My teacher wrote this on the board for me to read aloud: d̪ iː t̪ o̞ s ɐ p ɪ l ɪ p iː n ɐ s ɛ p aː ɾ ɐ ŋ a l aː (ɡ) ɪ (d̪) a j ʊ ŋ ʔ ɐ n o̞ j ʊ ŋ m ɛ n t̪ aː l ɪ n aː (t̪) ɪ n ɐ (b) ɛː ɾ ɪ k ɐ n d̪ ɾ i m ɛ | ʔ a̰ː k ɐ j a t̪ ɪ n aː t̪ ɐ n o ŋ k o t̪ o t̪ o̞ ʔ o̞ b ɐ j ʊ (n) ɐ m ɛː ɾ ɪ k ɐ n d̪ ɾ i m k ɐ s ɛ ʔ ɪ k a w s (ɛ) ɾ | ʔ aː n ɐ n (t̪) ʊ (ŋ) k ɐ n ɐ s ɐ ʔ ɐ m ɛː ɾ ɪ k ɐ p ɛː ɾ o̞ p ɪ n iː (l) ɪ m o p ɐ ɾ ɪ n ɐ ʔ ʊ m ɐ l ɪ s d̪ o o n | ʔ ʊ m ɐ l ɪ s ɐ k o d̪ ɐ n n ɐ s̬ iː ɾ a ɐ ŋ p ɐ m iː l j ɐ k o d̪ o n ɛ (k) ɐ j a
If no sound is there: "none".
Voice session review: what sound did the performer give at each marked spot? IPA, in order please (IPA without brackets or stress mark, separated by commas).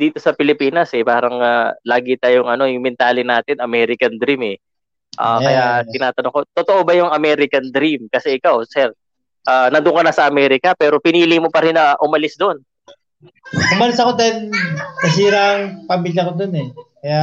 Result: ɡ, t̪, t̪, m, ŋ, ɛ, d̪, ŋ, l, k